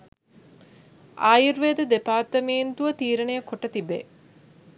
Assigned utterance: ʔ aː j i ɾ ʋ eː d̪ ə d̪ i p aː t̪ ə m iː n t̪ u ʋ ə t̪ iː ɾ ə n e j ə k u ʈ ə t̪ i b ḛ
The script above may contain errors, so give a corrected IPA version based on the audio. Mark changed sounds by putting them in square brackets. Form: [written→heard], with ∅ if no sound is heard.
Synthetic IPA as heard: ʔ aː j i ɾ ʋ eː d̪ ə d̪ [i→e] p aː t̪ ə m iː n t̪ u ʋ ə t̪ iː ɾ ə n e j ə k [u→o] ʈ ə t̪ i b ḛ